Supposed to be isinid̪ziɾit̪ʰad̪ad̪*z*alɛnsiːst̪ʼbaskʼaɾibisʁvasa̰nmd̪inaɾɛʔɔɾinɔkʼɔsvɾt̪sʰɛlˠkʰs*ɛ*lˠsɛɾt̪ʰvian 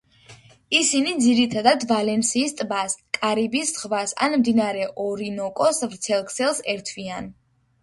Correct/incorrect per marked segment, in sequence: incorrect, correct

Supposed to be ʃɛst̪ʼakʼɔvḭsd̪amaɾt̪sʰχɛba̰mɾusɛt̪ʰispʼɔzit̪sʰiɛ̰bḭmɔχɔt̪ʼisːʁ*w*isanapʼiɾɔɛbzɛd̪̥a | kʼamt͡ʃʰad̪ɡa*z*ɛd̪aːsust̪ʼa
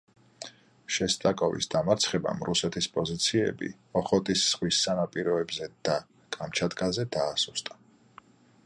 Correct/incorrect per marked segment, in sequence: correct, correct

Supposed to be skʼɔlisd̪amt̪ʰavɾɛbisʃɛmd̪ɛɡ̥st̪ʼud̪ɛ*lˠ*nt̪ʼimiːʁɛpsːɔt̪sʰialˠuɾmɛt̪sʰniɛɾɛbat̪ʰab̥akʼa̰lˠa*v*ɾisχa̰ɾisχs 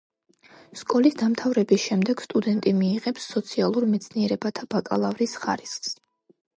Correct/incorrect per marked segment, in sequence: incorrect, correct

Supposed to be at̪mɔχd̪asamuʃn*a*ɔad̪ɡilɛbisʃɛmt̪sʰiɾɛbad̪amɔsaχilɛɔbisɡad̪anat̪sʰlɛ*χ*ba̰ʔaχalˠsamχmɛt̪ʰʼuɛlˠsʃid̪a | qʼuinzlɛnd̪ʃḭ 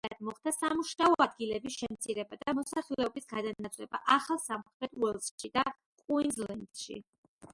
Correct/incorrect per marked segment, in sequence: correct, incorrect

